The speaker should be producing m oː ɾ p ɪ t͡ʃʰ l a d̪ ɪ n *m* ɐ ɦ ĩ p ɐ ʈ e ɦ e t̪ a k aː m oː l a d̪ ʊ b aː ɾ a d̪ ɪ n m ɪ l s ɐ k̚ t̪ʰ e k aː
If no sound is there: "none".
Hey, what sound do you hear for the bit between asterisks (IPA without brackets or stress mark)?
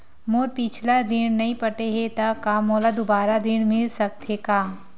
n